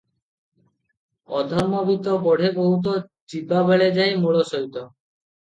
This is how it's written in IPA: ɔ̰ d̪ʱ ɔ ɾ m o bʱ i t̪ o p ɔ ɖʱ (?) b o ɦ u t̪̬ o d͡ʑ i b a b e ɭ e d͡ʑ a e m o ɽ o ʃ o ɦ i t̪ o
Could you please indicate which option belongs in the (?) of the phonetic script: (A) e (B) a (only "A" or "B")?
A